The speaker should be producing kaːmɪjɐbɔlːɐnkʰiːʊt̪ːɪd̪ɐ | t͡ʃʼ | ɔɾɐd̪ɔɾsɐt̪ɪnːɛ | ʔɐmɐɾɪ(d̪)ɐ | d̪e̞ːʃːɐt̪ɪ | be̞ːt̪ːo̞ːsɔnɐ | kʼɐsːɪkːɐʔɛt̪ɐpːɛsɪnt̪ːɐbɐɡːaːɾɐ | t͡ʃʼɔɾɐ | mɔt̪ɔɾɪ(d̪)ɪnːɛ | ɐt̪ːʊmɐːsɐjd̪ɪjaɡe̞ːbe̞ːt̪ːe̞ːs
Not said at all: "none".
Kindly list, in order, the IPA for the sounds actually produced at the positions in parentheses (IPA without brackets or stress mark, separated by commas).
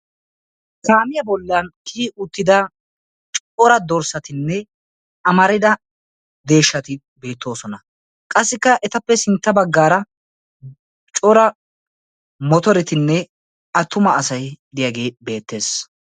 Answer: d̪, t̪